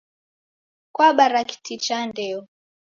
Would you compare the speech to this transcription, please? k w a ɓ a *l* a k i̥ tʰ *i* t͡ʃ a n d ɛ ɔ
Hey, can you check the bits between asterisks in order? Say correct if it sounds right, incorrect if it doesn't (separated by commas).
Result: incorrect, correct